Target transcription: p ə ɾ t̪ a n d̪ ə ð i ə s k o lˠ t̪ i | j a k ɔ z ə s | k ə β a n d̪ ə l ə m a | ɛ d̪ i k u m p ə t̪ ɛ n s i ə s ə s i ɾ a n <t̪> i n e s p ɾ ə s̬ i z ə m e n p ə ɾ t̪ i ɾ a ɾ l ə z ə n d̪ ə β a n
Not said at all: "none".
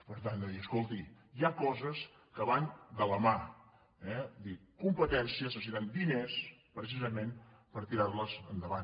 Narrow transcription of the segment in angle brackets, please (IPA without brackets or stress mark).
d̪